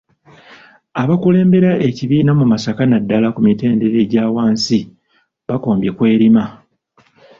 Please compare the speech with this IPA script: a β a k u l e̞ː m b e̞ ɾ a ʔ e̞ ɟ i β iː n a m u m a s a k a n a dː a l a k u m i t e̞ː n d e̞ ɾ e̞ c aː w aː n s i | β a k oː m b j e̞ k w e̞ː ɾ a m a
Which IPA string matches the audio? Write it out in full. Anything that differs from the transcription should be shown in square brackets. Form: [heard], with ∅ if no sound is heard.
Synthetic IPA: a β a k u l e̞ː m b e̞ ɾ a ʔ e̞ [c] i β iː n a m u m a s a k a n a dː a l a k u m i t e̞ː n d e̞ ɾ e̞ [ɟ] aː w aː n s i | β a k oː m b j e̞ k w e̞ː ɾ [i] m a